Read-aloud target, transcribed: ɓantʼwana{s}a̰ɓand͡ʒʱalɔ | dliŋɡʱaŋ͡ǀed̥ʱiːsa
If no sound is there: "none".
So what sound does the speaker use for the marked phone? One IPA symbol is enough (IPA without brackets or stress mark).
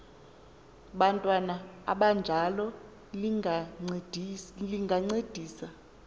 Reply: none